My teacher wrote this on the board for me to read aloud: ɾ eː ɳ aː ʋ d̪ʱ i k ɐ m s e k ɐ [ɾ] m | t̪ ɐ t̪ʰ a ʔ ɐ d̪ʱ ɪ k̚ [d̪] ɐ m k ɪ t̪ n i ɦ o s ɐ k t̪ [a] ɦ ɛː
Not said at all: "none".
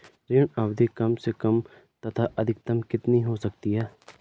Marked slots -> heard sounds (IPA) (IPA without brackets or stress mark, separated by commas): none, t̪, i